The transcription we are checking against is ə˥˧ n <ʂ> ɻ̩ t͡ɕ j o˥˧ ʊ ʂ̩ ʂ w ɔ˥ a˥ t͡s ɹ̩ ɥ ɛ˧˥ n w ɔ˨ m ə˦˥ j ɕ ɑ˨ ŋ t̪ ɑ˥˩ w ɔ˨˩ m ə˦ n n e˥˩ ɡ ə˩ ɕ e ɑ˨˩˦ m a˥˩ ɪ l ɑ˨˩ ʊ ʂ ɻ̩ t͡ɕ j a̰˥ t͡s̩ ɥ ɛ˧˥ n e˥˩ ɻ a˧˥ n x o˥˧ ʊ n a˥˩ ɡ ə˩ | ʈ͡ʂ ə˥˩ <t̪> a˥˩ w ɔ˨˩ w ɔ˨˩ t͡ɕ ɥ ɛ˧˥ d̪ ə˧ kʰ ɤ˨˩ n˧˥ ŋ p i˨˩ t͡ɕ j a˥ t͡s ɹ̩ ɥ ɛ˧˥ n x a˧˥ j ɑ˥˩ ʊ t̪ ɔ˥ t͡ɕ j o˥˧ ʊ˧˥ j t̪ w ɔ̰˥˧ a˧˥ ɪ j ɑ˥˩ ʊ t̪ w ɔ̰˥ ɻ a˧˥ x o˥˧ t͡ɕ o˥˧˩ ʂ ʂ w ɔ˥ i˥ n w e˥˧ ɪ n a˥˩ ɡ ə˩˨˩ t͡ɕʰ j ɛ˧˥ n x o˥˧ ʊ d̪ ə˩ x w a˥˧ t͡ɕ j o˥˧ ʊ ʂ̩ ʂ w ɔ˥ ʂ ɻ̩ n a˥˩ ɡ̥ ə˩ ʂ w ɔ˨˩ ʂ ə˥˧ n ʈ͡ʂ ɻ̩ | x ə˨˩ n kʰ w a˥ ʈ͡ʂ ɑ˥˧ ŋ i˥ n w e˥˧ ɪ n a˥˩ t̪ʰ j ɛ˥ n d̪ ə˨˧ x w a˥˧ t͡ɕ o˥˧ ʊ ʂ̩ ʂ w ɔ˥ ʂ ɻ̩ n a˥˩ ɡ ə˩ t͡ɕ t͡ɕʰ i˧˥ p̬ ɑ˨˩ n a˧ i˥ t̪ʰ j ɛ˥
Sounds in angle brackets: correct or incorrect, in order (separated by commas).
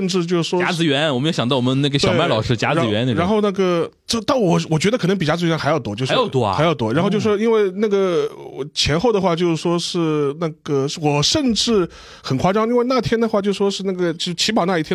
incorrect, correct